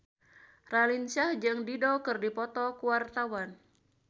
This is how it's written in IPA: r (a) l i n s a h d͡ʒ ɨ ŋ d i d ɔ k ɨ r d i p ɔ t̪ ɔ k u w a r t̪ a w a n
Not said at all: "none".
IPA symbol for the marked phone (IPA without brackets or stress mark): a